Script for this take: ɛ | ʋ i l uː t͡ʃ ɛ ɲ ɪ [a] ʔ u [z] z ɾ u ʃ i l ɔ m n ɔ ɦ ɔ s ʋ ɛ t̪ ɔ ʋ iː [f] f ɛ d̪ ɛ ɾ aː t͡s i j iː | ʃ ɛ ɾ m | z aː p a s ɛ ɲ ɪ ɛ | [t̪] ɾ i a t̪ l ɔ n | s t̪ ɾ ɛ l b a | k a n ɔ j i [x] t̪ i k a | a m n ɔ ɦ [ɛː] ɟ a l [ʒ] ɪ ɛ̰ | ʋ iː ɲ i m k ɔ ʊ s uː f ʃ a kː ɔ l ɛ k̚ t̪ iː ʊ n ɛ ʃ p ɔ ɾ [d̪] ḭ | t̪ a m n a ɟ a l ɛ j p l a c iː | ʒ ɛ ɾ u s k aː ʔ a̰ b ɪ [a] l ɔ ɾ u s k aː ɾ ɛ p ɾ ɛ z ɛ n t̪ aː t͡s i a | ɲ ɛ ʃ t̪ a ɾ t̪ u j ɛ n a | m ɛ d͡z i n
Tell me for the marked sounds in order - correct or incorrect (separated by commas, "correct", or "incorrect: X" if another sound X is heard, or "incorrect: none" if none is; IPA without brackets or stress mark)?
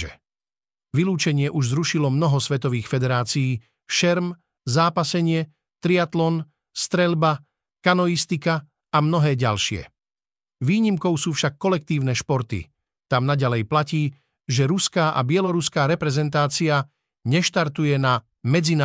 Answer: incorrect: ɛ, incorrect: ʒ, incorrect: x, correct, incorrect: s, correct, incorrect: ʃ, incorrect: t̪, incorrect: ɛ